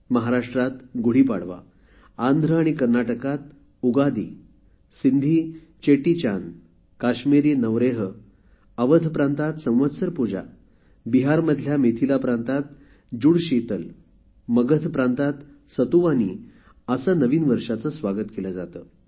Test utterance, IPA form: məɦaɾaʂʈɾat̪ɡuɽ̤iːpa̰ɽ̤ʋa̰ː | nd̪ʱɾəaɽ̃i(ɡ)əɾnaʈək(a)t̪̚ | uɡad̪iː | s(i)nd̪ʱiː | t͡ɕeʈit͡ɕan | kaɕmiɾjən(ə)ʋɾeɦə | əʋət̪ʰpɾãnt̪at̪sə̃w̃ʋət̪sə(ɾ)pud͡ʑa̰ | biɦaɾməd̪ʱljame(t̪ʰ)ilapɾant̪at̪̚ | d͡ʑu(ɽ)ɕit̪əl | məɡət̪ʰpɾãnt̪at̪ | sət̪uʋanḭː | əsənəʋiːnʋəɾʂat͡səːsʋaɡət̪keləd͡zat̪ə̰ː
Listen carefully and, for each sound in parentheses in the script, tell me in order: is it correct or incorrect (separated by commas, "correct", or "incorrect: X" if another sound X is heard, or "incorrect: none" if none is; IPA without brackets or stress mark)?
incorrect: k, correct, correct, correct, correct, correct, correct